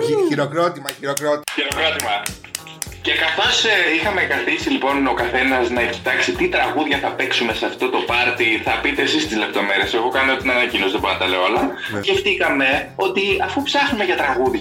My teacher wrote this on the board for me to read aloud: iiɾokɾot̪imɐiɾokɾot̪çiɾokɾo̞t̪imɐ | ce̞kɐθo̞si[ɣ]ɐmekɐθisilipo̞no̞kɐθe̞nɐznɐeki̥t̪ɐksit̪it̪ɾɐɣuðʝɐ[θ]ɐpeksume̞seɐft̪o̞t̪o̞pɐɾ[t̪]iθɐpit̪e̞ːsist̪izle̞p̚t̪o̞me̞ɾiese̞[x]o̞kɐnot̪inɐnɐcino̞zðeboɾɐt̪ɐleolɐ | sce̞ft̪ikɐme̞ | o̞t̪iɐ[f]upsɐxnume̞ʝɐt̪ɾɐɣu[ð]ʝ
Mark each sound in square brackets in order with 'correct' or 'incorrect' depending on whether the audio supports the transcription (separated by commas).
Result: incorrect, correct, correct, incorrect, correct, correct